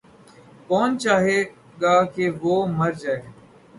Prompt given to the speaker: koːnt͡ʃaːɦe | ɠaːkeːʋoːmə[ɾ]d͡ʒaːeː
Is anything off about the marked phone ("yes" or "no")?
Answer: no